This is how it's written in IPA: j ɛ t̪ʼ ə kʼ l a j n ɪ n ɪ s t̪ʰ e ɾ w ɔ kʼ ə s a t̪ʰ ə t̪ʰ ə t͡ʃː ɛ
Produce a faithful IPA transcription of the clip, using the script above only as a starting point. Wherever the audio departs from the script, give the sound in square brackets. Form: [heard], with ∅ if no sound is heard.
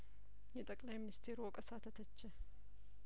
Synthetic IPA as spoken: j ɛ t̪ʼ ə kʼ l a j [m] ɪ n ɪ s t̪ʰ e ɾ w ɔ kʼ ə s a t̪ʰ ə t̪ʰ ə t͡ʃː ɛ